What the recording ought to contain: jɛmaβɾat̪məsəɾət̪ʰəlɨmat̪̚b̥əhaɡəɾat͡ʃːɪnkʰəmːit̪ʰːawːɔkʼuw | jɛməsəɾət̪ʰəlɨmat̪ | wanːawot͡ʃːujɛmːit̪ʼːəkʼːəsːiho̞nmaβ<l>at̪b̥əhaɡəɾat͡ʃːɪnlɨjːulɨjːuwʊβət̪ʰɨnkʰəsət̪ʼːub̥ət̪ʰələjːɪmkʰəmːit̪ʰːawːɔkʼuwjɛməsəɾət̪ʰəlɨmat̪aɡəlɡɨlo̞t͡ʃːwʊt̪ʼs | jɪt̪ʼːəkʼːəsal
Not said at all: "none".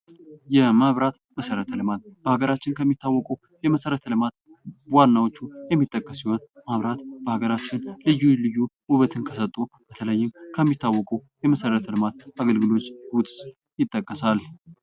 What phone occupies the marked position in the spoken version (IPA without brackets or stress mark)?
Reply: ɾ